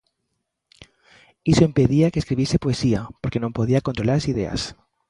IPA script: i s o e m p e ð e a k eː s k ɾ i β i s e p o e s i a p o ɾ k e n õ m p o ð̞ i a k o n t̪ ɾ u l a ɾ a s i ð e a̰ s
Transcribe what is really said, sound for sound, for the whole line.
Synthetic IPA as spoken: i s o e m p e ð i a k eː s k ɾ i β i s e p o e s i a p o ɾ k e n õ m p o ð̞ i a k o n t̪ ɾ o l a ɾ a s i ð e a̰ s